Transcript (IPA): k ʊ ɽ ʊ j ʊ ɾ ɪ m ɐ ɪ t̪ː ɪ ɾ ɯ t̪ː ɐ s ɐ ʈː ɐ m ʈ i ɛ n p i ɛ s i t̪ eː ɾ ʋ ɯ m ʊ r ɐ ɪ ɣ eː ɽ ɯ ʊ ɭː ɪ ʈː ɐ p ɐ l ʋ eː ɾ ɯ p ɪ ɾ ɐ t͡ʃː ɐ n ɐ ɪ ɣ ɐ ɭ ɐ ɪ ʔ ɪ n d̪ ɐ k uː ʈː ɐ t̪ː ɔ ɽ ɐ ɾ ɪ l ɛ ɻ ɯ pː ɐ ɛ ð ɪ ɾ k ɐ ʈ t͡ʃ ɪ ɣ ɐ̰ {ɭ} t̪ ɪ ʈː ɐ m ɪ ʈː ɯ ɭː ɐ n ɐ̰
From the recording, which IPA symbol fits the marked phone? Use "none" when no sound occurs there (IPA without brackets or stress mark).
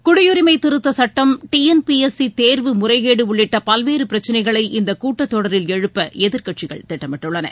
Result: ɭ